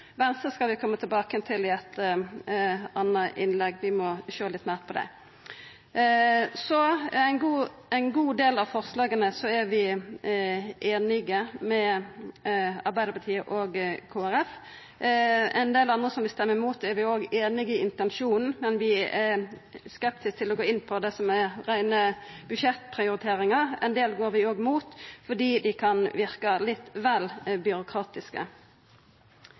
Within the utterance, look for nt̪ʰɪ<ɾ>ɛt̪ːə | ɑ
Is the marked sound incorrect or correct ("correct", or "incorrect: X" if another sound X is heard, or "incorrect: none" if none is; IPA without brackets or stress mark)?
incorrect: l